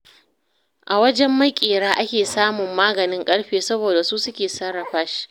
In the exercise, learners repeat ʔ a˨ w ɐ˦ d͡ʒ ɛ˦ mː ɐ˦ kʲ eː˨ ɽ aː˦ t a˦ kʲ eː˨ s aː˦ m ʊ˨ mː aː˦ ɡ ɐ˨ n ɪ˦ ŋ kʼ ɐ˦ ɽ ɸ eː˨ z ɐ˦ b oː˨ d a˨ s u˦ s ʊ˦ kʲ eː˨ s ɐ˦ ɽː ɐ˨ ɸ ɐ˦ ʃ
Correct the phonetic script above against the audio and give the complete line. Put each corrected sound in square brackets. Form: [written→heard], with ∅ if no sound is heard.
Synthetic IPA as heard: ʔ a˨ w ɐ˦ d͡ʒ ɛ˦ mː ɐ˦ [kʲ→kʲʼ] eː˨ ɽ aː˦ [t→ʔ] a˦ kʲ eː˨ s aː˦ m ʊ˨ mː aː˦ ɡ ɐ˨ n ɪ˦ ŋ kʼ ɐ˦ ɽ ɸ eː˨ [z→s] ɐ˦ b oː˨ d a˨ s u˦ s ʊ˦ kʲ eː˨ s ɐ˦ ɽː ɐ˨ ɸ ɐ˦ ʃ